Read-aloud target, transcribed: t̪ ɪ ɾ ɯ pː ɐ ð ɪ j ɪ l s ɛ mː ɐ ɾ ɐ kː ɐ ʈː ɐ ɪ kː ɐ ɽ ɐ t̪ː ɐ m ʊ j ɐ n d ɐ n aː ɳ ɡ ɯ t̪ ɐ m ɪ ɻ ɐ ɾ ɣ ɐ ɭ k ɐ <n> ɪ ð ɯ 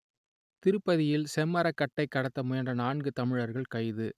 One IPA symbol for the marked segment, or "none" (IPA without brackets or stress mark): none